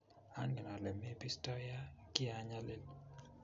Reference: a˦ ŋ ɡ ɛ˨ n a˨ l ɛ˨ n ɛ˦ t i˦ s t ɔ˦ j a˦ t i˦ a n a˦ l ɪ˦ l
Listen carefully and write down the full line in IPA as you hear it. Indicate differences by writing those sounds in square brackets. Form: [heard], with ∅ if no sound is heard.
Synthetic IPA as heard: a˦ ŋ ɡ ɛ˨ n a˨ l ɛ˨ [m] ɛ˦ [p] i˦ s t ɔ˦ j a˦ [k] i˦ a [ɲ] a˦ l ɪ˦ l